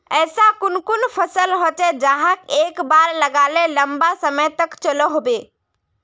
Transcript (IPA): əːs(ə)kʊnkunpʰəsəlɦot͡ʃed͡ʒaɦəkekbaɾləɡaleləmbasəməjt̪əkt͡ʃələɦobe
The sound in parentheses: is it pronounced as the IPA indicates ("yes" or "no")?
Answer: no